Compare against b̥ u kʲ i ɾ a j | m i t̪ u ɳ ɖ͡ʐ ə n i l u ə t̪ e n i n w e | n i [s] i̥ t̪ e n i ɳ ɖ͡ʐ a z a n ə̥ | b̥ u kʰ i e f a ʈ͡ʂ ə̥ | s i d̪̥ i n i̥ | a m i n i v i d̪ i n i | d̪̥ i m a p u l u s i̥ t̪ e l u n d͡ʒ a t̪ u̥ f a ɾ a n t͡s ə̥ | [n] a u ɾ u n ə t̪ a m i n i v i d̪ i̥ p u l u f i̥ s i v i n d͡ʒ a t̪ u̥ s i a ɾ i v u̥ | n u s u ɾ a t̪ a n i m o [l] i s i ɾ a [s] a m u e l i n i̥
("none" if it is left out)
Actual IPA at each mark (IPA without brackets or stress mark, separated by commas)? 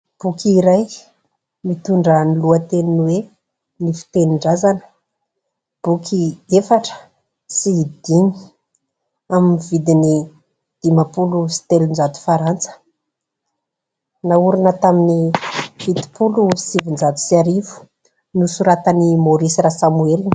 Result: f, n, ɾ, s